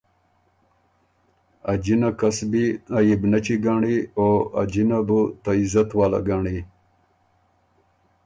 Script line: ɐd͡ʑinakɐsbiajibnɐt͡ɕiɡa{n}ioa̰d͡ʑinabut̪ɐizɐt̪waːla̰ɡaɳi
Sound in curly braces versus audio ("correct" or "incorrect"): incorrect